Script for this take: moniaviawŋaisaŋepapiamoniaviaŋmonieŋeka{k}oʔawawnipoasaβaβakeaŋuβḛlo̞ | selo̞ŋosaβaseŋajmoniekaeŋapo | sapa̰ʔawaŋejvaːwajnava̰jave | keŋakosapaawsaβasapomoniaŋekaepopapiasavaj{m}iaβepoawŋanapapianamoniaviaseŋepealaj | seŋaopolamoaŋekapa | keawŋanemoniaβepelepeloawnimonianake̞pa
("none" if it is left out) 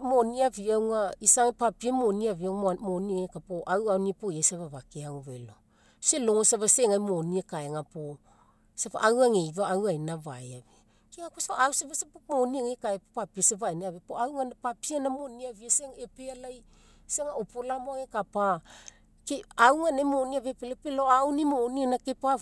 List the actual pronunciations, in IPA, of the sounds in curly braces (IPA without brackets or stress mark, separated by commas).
p, n